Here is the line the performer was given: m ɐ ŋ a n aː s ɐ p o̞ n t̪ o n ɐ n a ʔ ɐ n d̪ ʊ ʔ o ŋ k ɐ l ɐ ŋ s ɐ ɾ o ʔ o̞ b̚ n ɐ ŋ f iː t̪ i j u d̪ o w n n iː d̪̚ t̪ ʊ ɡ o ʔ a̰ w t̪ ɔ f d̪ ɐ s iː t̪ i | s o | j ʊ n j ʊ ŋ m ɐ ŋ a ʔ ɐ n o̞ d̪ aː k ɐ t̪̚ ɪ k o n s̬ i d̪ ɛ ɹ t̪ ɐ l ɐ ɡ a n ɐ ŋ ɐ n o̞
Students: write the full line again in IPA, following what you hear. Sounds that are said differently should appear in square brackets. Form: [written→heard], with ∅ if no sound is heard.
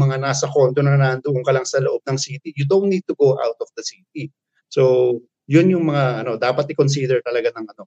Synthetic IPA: m ɐ ŋ a n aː s ɐ [p→k] o̞ n t̪ o n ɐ n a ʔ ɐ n d̪ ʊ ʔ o ŋ k ɐ l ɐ ŋ s ɐ [ɾ→l] o ʔ o̞ b̚ n ɐ ŋ [f→s] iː t̪ i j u d̪ o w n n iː d̪̚ t̪ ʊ ɡ o ʔ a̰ w t̪ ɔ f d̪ ɐ s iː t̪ i | s o | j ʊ n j ʊ ŋ m ɐ ŋ a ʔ ɐ n o̞ d̪ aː [k→p] ɐ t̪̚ ɪ k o n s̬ i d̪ ɛ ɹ t̪ ɐ l ɐ ɡ a n ɐ ŋ ɐ n o̞